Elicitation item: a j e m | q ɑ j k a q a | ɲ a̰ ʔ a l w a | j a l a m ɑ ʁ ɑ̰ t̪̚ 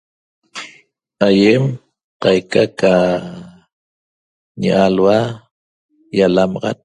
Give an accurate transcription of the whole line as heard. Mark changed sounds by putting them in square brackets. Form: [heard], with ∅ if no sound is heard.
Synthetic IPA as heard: a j e m | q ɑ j k a [k] a | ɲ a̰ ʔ a l w a | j a l a m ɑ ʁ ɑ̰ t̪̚